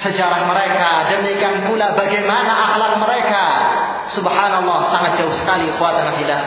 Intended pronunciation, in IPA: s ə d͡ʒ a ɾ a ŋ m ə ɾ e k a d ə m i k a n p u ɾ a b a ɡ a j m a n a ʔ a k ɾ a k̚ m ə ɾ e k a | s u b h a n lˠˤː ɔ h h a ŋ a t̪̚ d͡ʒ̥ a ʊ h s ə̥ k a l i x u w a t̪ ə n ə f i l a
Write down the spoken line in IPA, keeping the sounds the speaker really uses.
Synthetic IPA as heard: s ə d͡ʒ a ɾ a ŋ m ə ɾ e k a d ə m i k a n p u l a b a ɡ a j m a n a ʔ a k l a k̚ m ə ɾ e k a | s u b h a n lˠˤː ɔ h s a ŋ a t̪̚ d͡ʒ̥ a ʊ h s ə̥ k a l i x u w a t̪ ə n a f i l a